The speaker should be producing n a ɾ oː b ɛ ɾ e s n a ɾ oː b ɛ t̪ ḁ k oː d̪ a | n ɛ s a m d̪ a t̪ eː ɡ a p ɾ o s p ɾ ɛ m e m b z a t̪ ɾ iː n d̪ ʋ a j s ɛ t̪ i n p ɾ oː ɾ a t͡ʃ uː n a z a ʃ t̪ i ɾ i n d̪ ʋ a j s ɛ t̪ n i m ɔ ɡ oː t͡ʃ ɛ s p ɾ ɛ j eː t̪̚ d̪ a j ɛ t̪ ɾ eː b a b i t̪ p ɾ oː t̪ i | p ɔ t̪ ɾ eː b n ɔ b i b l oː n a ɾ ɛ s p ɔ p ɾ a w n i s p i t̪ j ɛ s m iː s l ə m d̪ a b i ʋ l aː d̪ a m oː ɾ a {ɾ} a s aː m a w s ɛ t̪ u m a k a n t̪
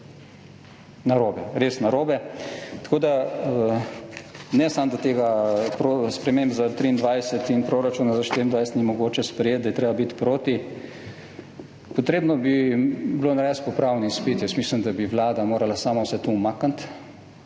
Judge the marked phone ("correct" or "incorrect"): incorrect